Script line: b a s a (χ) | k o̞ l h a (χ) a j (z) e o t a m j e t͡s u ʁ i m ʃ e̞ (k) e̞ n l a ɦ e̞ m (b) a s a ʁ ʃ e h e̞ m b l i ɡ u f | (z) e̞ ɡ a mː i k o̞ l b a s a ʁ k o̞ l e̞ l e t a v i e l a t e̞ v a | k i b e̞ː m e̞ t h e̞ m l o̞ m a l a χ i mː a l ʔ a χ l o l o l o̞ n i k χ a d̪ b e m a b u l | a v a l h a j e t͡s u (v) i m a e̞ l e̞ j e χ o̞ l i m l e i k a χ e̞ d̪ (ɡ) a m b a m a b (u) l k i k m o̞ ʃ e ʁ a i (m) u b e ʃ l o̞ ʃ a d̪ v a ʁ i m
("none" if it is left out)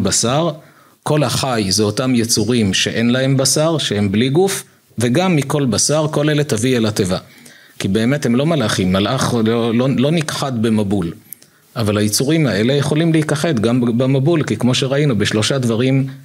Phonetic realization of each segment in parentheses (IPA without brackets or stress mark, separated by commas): ʁ, χ, z, ʔ, b, v, ʁ, ɡ, u, n